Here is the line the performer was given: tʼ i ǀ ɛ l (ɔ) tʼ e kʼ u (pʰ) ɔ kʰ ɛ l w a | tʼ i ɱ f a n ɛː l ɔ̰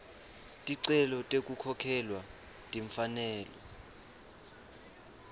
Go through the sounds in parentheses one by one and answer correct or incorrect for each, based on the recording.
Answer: correct, incorrect: kʰ

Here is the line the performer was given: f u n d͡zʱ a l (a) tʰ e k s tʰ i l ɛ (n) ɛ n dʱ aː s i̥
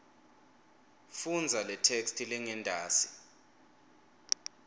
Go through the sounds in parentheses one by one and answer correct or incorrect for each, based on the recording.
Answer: incorrect: ɛ, incorrect: ŋ

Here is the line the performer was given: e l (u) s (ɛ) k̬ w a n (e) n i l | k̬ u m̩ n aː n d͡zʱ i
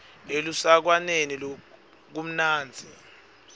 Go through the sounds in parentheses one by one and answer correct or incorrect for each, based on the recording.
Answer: correct, incorrect: a, correct

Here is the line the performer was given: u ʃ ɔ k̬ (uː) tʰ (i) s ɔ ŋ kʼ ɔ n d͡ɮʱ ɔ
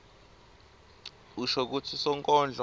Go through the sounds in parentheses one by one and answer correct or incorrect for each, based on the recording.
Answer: incorrect: u, correct

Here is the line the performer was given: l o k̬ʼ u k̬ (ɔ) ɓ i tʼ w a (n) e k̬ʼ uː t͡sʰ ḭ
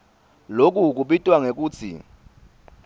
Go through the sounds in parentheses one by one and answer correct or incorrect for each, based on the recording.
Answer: incorrect: u, incorrect: ŋ

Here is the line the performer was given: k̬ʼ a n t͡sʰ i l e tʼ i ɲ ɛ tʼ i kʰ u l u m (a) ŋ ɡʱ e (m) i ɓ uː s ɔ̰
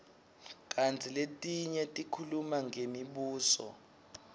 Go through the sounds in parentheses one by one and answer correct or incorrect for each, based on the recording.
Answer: correct, correct

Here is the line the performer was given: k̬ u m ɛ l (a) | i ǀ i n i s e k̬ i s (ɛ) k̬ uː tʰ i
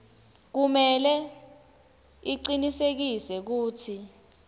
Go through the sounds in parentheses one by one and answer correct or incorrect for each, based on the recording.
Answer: incorrect: ɛ, correct

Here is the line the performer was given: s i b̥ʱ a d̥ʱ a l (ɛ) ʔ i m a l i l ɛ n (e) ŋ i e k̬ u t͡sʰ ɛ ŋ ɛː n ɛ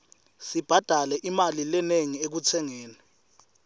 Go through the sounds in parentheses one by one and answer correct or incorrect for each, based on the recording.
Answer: correct, correct

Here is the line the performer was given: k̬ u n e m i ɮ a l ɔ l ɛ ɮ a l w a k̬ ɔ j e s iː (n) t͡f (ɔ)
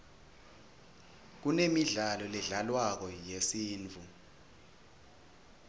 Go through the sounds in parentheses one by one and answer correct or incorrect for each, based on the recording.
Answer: correct, incorrect: u

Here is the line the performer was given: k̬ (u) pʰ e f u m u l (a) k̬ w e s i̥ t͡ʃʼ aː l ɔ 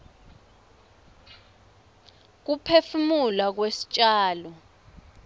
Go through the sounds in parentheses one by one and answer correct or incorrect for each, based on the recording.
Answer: correct, correct

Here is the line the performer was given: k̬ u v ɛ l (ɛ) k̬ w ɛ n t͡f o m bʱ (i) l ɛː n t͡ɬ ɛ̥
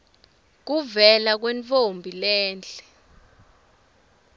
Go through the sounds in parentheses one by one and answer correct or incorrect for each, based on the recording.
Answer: incorrect: a, correct

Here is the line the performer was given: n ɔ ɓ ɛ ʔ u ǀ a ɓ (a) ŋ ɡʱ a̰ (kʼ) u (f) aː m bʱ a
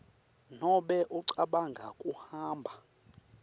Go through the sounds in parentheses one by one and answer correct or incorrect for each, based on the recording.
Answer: correct, correct, incorrect: h

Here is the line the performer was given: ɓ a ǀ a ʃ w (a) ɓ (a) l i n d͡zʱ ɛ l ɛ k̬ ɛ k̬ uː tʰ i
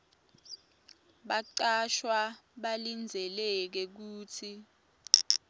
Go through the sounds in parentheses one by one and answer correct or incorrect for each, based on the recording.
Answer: correct, correct

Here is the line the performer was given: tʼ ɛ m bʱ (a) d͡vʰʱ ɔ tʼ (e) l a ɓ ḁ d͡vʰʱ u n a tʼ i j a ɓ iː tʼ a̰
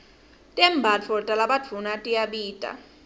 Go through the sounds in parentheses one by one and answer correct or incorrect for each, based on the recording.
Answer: correct, incorrect: a

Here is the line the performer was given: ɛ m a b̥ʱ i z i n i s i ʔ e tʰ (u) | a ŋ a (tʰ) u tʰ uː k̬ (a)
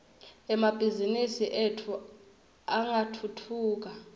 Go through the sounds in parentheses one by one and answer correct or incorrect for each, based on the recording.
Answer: correct, correct, correct

